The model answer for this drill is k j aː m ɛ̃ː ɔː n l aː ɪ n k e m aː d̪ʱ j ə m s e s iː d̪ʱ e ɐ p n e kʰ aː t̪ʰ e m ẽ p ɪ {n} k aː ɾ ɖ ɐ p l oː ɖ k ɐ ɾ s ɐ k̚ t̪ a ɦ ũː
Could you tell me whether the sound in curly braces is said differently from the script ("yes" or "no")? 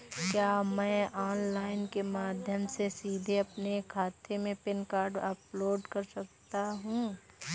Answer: no